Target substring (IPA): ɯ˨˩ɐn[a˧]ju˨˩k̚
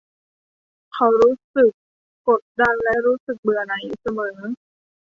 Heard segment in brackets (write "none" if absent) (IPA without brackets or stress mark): a˩˦